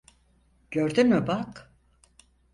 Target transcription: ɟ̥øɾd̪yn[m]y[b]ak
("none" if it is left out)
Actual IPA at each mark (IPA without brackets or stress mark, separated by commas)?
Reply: m, b